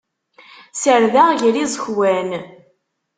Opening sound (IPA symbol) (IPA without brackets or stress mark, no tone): s